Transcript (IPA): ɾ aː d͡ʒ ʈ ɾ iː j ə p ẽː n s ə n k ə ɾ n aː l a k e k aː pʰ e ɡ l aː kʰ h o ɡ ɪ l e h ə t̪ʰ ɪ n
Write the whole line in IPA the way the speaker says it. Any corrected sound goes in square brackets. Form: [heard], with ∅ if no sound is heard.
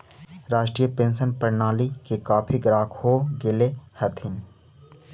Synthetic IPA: ɾ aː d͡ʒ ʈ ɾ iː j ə p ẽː n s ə n [p] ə ɾ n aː l [i] k e k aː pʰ [i] ɡ [ɾ] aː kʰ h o ɡ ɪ l e h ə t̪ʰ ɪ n